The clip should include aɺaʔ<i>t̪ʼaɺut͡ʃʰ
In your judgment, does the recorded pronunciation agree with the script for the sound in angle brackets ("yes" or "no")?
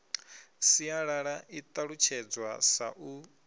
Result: yes